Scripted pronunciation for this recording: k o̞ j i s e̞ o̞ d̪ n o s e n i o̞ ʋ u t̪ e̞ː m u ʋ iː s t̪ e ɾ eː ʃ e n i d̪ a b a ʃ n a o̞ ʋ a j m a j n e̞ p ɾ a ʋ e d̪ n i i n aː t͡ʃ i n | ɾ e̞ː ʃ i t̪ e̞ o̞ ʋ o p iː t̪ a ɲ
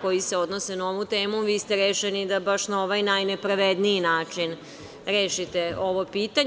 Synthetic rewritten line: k o̞ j i s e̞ o̞ d̪ n o s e n a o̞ ʋ u t̪ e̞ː m u ʋ iː s t̪ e ɾ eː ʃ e n i d̪ a b a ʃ n a o̞ ʋ a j n a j n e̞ p ɾ a ʋ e d̪ n i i n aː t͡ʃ i n | ɾ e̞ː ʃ i t̪ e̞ o̞ ʋ o p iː t̪ a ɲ